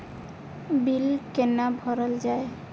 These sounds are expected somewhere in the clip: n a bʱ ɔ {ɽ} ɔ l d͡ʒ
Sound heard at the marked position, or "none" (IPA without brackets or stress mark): ɾ